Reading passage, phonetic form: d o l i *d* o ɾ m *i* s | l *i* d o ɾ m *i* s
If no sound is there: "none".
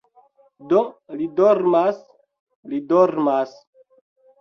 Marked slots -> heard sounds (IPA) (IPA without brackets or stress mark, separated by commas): d, a, i, a